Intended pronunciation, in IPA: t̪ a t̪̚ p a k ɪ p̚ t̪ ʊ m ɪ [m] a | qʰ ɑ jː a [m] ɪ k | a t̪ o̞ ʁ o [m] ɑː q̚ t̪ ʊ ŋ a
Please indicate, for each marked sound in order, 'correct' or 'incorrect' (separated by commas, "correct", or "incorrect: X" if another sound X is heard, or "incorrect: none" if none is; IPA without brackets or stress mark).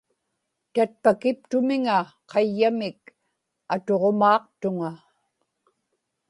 incorrect: ŋ, correct, correct